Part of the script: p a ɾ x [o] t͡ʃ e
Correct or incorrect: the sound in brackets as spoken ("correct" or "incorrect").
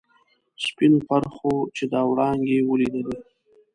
correct